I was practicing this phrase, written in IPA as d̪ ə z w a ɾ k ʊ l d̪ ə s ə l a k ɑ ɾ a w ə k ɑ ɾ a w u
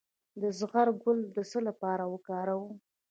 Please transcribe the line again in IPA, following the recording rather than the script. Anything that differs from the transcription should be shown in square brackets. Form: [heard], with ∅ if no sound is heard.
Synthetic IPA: d̪ ə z [ɣ] a ɾ [ɡ] ʊ l d̪ ə s ə l a [p] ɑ ɾ a w ə k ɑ ɾ a w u